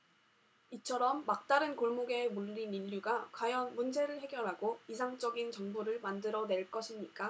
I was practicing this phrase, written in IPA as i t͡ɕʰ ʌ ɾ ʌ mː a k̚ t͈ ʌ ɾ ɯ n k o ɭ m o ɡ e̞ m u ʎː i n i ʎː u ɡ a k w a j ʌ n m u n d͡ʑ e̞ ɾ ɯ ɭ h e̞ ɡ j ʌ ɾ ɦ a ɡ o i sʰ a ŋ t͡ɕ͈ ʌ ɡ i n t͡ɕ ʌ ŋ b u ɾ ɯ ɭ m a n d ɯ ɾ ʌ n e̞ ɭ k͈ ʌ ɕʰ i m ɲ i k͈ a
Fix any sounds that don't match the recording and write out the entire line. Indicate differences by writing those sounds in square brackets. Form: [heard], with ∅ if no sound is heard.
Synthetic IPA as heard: i t͡ɕʰ ʌ ɾ ʌ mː a k̚ t͈ [a] ɾ ɯ n k o ɭ m o ɡ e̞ m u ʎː i n i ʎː u ɡ a k w a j ʌ n m u n d͡ʑ e̞ ɾ ɯ ɭ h e̞ ɡ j ʌ ɾ ɦ a ɡ o i sʰ a ŋ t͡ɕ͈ ʌ ɡ i n t͡ɕ ʌ ŋ b u ɾ ɯ ɭ m a n d ɯ ɾ ʌ n e̞ ɭ k͈ ʌ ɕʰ i m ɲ i k͈ a

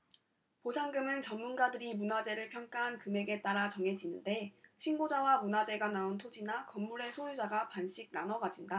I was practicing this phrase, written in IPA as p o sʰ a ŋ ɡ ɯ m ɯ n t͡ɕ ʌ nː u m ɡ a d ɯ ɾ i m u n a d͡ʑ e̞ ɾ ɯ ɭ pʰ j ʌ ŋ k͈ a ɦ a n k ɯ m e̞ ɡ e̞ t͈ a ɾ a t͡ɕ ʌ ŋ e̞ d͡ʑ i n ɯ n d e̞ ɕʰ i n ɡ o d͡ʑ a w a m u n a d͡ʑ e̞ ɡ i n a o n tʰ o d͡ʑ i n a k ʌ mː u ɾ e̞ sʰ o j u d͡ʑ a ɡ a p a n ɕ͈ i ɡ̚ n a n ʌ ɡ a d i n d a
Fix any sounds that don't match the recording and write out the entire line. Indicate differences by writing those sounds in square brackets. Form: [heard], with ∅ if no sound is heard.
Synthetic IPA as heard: p o sʰ a ŋ ɡ ɯ m ɯ n t͡ɕ ʌ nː u [n] ɡ a d ɯ ɾ i m u n a d͡ʑ e̞ ɾ ɯ ɭ pʰ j ʌ ŋ k͈ a ɦ a n k ɯ m e̞ ɡ e̞ t͈ a ɾ a t͡ɕ ʌ ŋ e̞ d͡ʑ i n ɯ n d e̞ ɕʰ i n ɡ o d͡ʑ a w a m u n a d͡ʑ e̞ ɡ [a] n a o n tʰ o d͡ʑ i n a k ʌ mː u ɾ e̞ sʰ o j u d͡ʑ a ɡ a p a n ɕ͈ i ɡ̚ n a n ʌ ɡ a [d͡ʑ] i n d a

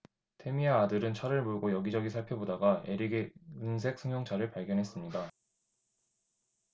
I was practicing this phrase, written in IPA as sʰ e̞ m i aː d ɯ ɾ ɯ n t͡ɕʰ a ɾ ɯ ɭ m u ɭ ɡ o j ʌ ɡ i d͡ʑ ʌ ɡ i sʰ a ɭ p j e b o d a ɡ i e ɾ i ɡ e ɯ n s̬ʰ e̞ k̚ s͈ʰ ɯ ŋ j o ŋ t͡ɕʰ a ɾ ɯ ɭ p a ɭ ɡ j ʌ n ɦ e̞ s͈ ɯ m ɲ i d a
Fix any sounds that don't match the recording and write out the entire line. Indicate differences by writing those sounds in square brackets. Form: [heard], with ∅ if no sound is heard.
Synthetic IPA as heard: [tʰ] e̞ m i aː d ɯ ɾ ɯ n t͡ɕʰ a ɾ ɯ ɭ m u ɭ ɡ o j ʌ ɡ i d͡ʑ ʌ ɡ i sʰ a ɭ [pʰ] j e b o d a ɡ [a] e ɾ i ɡ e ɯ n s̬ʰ e̞ k̚ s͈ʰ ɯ ŋ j o ŋ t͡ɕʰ a ɾ ɯ ɭ p a ɭ ɡ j ʌ n ɦ e̞ s͈ ɯ m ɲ i d a

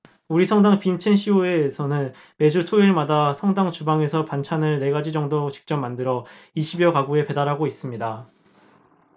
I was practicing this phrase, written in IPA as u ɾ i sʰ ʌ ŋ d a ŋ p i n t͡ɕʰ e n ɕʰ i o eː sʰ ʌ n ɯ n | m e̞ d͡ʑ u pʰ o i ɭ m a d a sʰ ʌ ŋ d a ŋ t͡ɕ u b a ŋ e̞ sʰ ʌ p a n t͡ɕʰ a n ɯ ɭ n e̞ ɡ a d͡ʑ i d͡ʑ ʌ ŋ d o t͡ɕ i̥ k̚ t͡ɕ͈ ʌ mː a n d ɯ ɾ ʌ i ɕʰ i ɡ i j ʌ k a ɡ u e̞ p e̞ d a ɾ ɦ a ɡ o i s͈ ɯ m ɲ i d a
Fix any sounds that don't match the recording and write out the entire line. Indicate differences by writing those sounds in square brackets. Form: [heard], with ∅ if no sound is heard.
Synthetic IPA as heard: u ɾ i sʰ ʌ ŋ d a ŋ p i n t͡ɕʰ e n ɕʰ i o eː sʰ ʌ n ɯ n | m e̞ d͡ʑ u [tʰ] o i ɭ m a d a sʰ ʌ ŋ d a ŋ t͡ɕ u b a ŋ e̞ sʰ ʌ p a n t͡ɕʰ a n ɯ ɭ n e̞ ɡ a d͡ʑ i d͡ʑ ʌ ŋ d o t͡ɕ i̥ k̚ t͡ɕ͈ ʌ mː a n d ɯ ɾ ʌ i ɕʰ i [b] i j ʌ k a ɡ u e̞ p e̞ d a ɾ ɦ a ɡ o i s͈ ɯ m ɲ i d a

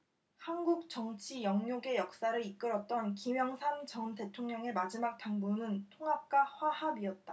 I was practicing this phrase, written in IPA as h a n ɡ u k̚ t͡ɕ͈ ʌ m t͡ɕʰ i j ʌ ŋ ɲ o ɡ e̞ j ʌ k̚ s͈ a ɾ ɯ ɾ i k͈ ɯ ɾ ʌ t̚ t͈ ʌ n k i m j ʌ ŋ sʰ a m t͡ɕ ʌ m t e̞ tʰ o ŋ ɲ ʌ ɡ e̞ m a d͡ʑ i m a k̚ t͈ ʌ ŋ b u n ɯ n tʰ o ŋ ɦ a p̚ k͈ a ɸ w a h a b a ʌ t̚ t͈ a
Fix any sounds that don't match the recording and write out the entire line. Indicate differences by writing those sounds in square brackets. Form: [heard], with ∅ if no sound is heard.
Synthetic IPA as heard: h a n ɡ u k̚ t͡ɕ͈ ʌ [ŋ] t͡ɕʰ i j ʌ ŋ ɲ o ɡ e̞ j ʌ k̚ s͈ a ɾ ɯ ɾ i k͈ ɯ ɾ ʌ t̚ t͈ ʌ n k i m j ʌ ŋ sʰ a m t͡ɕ ʌ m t e̞ tʰ o ŋ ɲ ʌ [ŋ] e̞ m a d͡ʑ i m a k̚ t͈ [a] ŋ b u n ɯ n tʰ o ŋ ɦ a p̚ k͈ a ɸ w a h a b [i] ʌ t̚ t͈ a

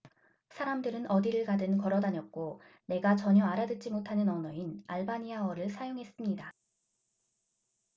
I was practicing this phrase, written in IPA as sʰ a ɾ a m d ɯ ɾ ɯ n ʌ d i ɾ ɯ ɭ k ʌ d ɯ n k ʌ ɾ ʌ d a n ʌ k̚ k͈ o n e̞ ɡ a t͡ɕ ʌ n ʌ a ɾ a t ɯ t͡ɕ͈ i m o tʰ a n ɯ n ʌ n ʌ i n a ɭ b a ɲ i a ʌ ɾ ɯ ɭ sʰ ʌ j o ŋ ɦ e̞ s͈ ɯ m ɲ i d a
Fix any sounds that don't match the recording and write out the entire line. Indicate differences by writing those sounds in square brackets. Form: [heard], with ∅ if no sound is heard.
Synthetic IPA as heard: sʰ a ɾ a m d ɯ ɾ ɯ n ʌ d i ɾ ɯ ɭ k [a] d ɯ n k ʌ ɾ ʌ d a [ɲ] ʌ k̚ k͈ o n e̞ ɡ a t͡ɕ ʌ [ɲ] ʌ a ɾ a [d] ɯ t͡ɕ͈ i m o tʰ a n ɯ n ʌ n ʌ i n a ɭ b a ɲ i a ʌ ɾ ɯ ɭ sʰ [a] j o ŋ ɦ e̞ s͈ ɯ m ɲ i d a

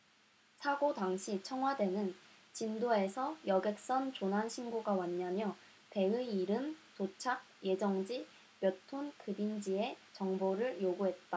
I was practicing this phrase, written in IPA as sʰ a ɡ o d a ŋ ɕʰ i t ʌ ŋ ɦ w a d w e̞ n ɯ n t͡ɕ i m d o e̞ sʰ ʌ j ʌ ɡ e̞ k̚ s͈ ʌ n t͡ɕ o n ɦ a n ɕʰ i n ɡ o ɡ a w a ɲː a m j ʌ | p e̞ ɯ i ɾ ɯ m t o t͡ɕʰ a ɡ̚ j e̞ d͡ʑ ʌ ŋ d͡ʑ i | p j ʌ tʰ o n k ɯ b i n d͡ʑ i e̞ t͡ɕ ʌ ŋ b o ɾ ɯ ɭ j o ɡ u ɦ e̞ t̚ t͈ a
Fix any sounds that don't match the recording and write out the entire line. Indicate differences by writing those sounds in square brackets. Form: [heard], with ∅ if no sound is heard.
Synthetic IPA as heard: sʰ a ɡ o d a ŋ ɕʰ i [t͡ɕʰ] ʌ ŋ ɦ w a d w e̞ n ɯ n t͡ɕ i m d o e̞ sʰ ʌ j ʌ ɡ e̞ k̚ s͈ ʌ n t͡ɕ o n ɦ a n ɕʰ i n ɡ o ɡ a w a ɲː a m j ʌ | p e̞ ɯ i ɾ ɯ m t o t͡ɕʰ a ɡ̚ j e̞ d͡ʑ ʌ ŋ d͡ʑ i | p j ʌ tʰ o n k ɯ b i n d͡ʑ i e̞ t͡ɕ ʌ ŋ b o ɾ ɯ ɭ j o ɡ u ɦ e̞ t̚ t͈ a

